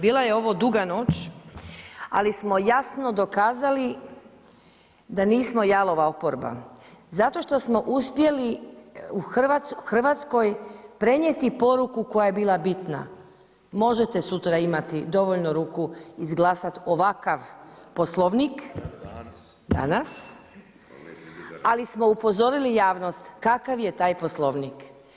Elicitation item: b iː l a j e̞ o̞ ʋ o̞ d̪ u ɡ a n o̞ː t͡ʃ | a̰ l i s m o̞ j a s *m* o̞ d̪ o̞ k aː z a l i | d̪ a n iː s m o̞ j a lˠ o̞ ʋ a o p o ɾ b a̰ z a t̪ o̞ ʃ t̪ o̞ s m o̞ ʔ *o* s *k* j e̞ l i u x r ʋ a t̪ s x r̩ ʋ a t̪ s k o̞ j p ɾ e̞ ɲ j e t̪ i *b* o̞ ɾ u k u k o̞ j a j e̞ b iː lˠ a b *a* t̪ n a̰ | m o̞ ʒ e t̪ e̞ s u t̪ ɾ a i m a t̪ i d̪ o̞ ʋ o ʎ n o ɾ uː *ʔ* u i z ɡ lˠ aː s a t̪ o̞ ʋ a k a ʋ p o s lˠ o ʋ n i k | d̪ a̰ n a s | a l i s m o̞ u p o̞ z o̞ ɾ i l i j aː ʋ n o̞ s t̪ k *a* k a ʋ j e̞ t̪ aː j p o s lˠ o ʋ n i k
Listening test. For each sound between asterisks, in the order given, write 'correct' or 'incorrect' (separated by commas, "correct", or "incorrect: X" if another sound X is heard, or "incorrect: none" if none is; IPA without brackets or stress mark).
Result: incorrect: n, incorrect: u, incorrect: p, incorrect: p, incorrect: i, incorrect: k, correct